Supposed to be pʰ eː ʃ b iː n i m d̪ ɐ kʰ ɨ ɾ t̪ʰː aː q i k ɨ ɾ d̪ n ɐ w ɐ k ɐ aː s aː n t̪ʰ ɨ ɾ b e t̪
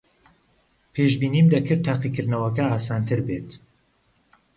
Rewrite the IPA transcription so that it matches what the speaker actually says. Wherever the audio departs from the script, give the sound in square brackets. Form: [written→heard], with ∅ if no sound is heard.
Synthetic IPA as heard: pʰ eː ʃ b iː n i m d̪ ɐ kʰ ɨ ɾ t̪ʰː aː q i k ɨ ɾ d̪ n ɐ w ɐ k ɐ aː s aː n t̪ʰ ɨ ɾ b e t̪